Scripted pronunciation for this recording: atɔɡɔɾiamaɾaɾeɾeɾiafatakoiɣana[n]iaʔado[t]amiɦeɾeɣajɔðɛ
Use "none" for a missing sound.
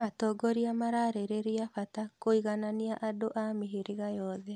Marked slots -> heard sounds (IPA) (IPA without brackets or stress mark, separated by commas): n, ʔ